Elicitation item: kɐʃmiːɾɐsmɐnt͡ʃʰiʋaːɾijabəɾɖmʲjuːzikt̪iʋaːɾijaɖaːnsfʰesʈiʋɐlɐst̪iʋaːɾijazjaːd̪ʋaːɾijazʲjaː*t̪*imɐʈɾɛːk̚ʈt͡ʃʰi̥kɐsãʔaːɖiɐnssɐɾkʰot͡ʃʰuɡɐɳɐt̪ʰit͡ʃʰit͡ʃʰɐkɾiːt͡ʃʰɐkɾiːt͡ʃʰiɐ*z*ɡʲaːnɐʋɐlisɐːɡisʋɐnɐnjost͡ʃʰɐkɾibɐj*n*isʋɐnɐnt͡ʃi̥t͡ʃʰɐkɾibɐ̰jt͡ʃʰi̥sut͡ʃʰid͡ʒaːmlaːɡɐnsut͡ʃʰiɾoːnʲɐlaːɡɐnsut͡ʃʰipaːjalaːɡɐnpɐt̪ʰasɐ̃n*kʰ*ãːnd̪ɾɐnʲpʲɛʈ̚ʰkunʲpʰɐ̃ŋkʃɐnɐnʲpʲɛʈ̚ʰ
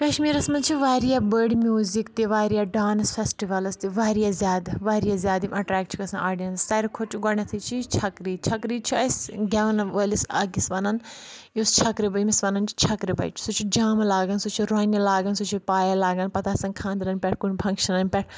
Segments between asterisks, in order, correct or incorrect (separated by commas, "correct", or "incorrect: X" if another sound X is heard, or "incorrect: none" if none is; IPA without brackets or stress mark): incorrect: d̪, incorrect: s, incorrect: m, correct